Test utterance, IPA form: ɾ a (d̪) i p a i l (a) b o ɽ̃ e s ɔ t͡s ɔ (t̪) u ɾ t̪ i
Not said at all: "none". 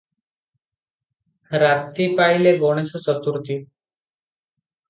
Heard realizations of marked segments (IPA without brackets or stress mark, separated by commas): t̪, e, t̪